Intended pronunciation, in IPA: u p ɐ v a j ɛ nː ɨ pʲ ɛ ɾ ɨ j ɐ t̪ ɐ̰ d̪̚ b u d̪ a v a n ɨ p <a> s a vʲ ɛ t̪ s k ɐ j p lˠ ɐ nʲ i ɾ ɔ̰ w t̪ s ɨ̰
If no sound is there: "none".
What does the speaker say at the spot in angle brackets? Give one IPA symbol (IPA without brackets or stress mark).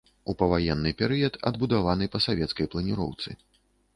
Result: ɐ